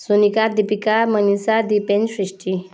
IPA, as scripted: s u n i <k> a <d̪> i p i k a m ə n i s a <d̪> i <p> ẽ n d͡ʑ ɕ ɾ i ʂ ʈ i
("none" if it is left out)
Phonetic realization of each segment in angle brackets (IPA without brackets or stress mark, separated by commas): k, d̪, d̪, p